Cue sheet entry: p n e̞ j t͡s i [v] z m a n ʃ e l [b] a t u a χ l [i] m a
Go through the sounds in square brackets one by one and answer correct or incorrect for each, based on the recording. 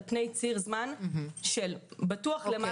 incorrect, correct, incorrect

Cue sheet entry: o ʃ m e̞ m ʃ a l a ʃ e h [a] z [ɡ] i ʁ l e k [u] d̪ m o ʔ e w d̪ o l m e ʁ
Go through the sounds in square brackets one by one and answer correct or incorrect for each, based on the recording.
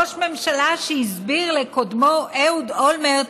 incorrect, incorrect, incorrect

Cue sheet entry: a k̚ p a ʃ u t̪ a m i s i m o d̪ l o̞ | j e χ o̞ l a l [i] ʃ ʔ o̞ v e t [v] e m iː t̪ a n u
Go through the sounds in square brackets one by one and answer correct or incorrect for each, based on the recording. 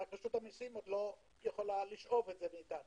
correct, incorrect

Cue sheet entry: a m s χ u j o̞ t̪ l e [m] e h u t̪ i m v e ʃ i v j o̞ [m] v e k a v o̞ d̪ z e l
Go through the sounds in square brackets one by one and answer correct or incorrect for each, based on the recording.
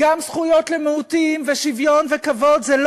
correct, incorrect

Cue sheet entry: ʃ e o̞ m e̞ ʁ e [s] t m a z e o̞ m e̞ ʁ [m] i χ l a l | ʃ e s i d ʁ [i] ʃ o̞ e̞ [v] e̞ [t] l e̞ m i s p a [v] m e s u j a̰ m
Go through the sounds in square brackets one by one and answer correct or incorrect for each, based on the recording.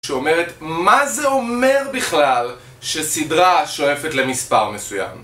incorrect, incorrect, incorrect, incorrect, correct, incorrect

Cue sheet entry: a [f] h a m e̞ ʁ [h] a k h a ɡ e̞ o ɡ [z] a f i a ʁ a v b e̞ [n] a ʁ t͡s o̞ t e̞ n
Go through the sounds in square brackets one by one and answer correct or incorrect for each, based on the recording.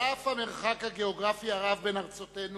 correct, incorrect, incorrect, correct

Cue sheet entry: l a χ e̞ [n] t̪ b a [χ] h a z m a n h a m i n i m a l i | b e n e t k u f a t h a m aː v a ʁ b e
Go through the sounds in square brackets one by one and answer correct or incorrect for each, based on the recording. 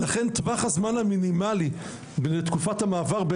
correct, correct

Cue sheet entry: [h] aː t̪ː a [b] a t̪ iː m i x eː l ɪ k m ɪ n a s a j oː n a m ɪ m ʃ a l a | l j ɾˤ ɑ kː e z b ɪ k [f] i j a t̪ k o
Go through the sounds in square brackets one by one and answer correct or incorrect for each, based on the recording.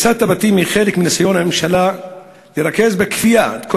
incorrect, correct, correct

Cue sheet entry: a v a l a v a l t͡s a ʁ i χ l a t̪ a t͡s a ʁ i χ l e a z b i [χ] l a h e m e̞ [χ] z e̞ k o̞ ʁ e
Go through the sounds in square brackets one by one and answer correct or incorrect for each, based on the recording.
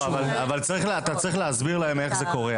incorrect, correct

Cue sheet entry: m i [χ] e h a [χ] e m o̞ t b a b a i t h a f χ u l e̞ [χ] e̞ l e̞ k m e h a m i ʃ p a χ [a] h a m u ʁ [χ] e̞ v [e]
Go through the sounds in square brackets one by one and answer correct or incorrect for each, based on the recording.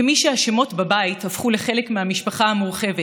incorrect, incorrect, correct, correct, correct, correct

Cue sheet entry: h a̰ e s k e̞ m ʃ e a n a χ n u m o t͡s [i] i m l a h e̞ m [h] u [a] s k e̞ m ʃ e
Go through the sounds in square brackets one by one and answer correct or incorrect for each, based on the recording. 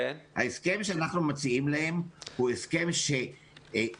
correct, correct, incorrect

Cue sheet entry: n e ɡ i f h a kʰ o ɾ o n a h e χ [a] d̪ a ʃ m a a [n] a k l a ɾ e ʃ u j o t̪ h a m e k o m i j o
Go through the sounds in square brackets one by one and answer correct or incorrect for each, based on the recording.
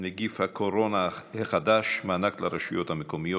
correct, correct

